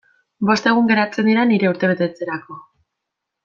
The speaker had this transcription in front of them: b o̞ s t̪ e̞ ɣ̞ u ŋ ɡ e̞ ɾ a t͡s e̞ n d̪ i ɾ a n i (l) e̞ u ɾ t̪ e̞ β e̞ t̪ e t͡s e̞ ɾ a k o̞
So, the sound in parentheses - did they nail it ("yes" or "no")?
no